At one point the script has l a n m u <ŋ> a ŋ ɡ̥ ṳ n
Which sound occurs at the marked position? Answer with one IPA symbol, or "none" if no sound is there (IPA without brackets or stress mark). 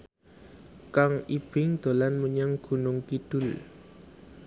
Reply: ɲ